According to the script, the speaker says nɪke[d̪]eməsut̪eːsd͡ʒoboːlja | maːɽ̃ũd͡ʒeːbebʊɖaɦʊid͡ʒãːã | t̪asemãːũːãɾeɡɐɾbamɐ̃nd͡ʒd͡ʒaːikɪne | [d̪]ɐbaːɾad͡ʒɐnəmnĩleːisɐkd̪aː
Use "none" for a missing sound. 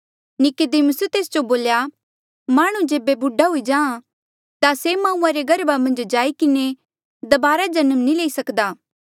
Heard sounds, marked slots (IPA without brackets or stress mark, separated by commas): d̪, d̪